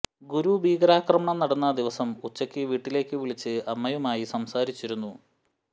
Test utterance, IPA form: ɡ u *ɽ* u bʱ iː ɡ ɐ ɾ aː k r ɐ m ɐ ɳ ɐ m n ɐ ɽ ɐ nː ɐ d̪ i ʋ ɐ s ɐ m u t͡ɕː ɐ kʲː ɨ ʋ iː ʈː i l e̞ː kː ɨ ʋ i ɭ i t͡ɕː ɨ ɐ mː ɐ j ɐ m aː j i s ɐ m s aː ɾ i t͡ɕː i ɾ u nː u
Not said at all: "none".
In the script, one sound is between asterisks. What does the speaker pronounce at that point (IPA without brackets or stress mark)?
ɾ